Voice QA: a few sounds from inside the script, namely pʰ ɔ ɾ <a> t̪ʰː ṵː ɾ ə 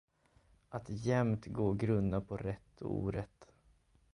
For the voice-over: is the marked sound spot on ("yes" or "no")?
no